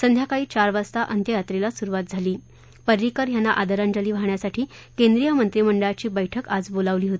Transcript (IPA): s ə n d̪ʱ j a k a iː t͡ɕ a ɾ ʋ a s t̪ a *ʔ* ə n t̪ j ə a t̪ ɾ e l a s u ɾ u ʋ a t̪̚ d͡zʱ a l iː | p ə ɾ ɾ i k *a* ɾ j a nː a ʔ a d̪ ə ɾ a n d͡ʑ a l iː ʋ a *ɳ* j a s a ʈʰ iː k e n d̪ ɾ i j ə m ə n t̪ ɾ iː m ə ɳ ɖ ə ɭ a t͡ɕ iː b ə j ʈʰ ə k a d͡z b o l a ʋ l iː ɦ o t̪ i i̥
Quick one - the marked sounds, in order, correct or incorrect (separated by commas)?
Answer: correct, incorrect, correct